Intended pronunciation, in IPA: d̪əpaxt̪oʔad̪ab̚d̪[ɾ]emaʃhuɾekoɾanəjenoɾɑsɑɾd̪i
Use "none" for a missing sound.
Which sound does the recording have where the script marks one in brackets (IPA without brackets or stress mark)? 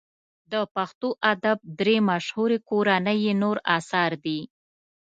ɾ